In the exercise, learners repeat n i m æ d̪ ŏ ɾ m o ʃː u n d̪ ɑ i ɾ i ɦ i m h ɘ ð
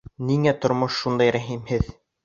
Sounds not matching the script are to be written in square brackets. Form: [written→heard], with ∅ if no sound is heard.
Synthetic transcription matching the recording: n i [m→ŋ] æ [d̪→t̪] ŏ ɾ m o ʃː u n d̪ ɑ [i→j] ɾ [i→æ] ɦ i m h ɘ ð